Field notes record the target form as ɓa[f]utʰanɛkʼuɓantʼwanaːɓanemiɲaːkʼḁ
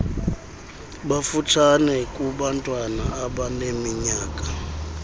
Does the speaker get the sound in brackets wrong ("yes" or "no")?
no